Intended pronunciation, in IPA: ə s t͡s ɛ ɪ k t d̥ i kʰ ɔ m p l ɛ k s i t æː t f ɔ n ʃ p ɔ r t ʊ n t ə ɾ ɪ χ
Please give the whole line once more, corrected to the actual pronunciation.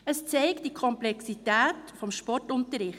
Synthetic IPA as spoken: ə s t͡s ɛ ɪ k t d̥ i kʰ ɔ m p l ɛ k s i t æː t f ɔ m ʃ p ɔ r t ʊ n t ə ɾ ɪ χ